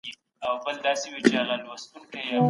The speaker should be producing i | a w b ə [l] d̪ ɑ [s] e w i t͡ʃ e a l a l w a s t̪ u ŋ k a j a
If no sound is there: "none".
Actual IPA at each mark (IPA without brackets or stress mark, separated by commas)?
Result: l, s